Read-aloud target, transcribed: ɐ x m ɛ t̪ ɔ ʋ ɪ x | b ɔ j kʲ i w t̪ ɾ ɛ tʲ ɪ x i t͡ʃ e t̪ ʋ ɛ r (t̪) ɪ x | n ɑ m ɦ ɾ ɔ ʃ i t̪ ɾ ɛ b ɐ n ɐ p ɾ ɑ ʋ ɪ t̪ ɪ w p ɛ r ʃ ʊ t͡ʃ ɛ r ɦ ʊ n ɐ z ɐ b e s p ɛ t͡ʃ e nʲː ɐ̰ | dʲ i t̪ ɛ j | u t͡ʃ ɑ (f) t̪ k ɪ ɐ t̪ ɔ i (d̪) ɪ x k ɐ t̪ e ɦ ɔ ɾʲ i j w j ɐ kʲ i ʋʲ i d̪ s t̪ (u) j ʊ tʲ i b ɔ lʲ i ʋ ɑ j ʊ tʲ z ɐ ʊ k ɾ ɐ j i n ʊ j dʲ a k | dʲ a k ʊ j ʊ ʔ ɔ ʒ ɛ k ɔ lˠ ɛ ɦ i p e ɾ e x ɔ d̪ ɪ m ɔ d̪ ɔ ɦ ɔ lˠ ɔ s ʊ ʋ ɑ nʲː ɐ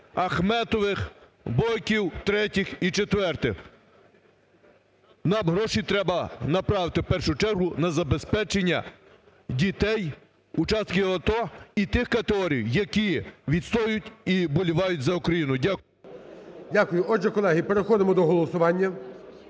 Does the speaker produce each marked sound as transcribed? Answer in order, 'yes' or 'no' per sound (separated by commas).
yes, no, no, no